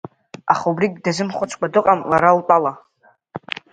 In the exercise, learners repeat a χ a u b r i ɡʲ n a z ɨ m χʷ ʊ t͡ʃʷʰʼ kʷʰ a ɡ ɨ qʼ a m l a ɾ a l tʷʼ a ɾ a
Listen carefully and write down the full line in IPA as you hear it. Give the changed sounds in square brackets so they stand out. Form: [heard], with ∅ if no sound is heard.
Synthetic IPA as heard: a χ a u b r i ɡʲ [d] a z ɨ m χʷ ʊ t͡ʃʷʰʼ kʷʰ a [d] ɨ qʼ a m l a ɾ a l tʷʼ a [l] a